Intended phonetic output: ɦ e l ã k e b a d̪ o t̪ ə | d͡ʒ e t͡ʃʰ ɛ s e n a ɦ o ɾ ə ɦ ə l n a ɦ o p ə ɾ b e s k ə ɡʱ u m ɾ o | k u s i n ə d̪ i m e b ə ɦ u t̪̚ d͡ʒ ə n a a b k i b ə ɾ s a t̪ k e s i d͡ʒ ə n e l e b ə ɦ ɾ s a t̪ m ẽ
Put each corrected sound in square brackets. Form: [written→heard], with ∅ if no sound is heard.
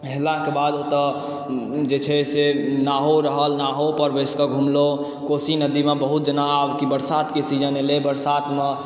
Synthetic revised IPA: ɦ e l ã k e b a d̪ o t̪ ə | d͡ʒ e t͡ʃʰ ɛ s e n a ɦ o ɾ ə ɦ ə l n a ɦ o p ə ɾ b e s k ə ɡʱ u m [ɾ→l] o | k [u→o] s i n ə d̪ i m e b ə ɦ u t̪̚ d͡ʒ ə n a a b k i b ə ɾ s a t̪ k e s i d͡ʒ ə n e l e b ə [ɦ→∅] ɾ s a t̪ m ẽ